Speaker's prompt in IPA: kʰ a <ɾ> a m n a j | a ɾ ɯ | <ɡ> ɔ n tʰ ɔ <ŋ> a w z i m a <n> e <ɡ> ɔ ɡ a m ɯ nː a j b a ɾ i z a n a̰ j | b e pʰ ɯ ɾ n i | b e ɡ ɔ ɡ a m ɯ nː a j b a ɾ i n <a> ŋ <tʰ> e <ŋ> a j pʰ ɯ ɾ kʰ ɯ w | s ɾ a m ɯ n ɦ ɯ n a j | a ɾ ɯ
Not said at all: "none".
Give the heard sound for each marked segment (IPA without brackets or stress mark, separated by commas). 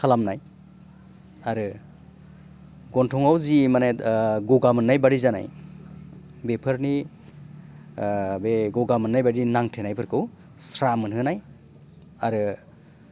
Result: l, ɡ, ŋ, n, ɡ, a, tʰ, n